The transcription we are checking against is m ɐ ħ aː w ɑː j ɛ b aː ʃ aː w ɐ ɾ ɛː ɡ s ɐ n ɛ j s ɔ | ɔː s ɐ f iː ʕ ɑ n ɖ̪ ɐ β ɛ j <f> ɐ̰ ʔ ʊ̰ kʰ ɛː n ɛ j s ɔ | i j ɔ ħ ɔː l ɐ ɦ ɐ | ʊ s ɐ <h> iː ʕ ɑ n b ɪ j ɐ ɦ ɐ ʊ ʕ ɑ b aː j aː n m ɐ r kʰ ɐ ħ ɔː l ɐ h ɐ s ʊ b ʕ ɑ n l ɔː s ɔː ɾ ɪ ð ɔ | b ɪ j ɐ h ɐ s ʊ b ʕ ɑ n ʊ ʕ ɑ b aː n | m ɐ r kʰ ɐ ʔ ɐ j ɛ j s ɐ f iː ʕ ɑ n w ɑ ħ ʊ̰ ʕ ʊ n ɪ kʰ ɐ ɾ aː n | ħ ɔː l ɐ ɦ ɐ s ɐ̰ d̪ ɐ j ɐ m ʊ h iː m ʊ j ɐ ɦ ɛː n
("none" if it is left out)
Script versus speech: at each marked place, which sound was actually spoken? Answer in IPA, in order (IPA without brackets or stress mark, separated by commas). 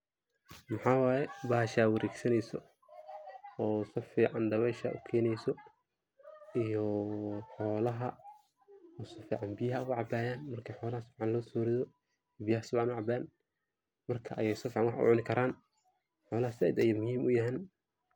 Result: ʃ, f